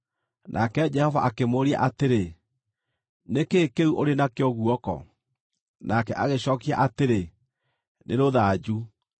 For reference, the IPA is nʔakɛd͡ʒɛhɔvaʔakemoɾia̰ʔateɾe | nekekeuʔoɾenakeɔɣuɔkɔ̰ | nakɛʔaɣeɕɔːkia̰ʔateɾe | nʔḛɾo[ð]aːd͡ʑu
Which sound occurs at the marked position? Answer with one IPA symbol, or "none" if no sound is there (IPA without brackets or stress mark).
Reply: ð